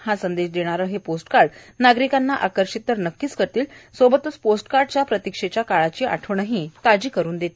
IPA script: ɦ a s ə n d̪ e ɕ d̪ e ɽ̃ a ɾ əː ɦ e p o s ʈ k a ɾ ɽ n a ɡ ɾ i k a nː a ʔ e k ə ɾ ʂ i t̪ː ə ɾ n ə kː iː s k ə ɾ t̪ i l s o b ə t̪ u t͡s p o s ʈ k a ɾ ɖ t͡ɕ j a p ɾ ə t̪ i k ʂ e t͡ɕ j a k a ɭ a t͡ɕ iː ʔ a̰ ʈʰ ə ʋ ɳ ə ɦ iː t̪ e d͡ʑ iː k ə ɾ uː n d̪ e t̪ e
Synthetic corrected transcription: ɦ a s ə n d̪ e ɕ d̪ e ɽ̃ a ɾ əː ɦ e p o s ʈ k a ɾ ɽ n a ɡ ɾ i k a nː a ʔ a k ə ɾ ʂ i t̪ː ə ɾ n ə kː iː s k ə ɾ t̪ iː l s o b ə t̪ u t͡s p o s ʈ k a ɾ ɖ t͡ɕ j a p ɾ ə t̪ i k ʂ e t͡ɕ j a k a ɭ a t͡ɕ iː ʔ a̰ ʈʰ ə ʋ ɳ ə ɦ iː t̪ a d͡ʑ iː k ə ɾ uː n d̪ e t̪ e